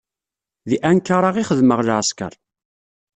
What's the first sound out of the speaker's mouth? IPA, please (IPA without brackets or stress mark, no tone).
ð